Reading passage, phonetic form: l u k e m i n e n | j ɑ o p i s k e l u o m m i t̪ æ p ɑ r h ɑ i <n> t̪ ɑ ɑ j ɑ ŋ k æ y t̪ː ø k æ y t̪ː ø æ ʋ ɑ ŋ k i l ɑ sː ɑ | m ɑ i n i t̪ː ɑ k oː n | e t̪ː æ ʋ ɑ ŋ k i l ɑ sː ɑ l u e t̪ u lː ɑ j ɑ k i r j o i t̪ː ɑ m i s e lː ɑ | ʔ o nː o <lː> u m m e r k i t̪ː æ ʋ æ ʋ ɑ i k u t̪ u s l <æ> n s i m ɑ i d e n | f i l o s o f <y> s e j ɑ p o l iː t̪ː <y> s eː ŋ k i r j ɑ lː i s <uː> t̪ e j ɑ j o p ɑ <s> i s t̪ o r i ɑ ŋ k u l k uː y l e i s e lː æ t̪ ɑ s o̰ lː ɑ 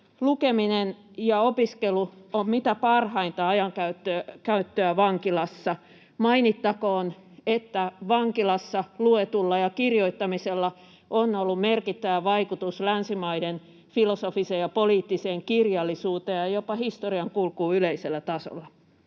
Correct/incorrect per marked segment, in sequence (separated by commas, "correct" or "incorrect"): correct, correct, correct, incorrect, incorrect, correct, incorrect